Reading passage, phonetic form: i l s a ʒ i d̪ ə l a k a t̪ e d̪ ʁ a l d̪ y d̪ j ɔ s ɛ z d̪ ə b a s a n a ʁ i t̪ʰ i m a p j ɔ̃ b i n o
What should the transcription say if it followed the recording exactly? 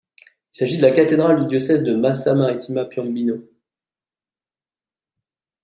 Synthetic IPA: i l s a ʒ i d̪ ə l a k a t̪ e d̪ ʁ a l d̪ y d̪ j ɔ s ɛ z d̪ ə m a s a m a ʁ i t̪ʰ i m a p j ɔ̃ b i n o